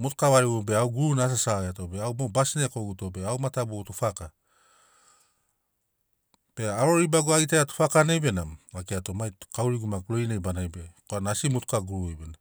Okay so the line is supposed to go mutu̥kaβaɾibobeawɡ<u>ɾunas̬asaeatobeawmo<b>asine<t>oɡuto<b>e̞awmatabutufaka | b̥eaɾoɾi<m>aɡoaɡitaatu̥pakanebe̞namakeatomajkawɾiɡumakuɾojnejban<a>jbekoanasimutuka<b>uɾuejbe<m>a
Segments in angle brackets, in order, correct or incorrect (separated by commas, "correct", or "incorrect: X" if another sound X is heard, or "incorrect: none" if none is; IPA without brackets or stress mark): correct, correct, incorrect: k, correct, incorrect: b, correct, incorrect: ɡ, incorrect: n